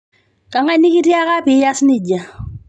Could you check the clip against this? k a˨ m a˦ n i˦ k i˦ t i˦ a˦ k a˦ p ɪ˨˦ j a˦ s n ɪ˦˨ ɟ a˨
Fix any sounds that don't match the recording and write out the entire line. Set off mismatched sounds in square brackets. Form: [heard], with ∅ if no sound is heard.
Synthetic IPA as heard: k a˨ [ŋ] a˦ n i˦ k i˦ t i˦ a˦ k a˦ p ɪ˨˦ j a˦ s n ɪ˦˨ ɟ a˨